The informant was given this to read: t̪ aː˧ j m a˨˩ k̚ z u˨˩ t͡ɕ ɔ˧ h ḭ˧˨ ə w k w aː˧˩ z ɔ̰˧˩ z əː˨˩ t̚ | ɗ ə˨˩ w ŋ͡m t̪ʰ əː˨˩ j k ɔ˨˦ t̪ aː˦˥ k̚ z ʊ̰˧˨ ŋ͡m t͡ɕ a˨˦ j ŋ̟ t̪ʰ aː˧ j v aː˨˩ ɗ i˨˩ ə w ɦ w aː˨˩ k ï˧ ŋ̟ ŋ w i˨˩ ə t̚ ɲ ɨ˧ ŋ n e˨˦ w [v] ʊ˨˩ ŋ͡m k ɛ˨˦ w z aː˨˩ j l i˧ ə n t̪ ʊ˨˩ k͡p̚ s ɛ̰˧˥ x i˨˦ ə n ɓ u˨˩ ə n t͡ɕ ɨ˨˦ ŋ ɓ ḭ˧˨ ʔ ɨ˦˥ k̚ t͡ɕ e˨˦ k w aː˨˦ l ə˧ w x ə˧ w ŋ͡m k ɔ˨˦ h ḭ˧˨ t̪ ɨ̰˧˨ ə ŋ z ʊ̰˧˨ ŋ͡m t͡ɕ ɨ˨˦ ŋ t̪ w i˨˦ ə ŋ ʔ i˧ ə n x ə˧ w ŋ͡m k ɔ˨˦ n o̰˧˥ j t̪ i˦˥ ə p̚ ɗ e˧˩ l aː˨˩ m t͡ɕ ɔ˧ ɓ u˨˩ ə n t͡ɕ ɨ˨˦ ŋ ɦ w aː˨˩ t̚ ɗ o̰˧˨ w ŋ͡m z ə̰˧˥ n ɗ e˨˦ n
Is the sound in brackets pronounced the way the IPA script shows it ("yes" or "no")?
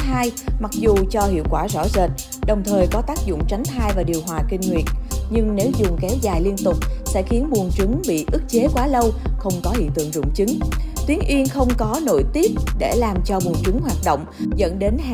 no